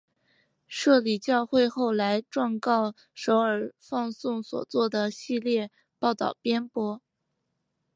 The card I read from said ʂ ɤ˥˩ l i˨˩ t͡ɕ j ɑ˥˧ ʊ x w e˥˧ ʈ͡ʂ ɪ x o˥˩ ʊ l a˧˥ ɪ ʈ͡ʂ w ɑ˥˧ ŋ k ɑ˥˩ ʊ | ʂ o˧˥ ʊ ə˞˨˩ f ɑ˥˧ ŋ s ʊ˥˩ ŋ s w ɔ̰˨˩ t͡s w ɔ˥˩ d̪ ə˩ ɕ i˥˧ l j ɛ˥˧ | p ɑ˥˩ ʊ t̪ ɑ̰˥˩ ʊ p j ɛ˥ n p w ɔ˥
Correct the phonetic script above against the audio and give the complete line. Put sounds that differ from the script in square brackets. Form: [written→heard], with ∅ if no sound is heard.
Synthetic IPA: ʂ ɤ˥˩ l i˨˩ t͡ɕ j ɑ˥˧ ʊ x w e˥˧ [ʈ͡ʂ→∅] ɪ x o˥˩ ʊ l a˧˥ ɪ ʈ͡ʂ w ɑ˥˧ ŋ k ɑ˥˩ ʊ | ʂ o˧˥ ʊ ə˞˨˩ f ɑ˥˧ ŋ s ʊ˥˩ ŋ s w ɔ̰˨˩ t͡s w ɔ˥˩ d̪ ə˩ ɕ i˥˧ l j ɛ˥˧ | p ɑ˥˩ ʊ t̪ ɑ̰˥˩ ʊ p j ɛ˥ n p w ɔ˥